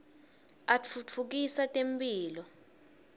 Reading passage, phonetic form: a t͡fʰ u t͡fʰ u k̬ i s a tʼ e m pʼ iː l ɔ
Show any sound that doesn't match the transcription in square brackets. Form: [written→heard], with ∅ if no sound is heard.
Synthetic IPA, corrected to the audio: a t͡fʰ u t͡fʰ u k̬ i s a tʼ e m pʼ iː l ɔ